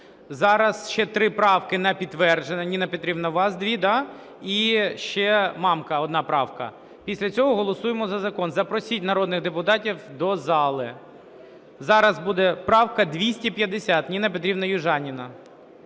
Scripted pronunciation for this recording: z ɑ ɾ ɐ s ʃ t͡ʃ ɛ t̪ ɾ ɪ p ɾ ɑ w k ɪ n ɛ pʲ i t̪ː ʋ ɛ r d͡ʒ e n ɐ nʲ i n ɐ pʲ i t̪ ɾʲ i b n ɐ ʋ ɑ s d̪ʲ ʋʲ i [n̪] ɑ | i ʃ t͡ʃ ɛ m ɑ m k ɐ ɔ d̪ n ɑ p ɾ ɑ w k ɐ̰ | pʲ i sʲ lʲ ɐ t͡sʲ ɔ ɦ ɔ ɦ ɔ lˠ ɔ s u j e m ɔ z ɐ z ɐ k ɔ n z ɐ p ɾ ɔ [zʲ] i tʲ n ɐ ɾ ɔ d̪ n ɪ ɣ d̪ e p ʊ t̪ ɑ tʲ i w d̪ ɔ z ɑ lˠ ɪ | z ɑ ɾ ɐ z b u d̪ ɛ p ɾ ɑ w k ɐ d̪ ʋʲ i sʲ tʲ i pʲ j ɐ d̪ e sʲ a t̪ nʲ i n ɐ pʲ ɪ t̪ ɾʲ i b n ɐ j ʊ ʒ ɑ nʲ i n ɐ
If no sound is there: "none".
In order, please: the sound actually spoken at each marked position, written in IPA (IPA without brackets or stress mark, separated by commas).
d̪, sʲ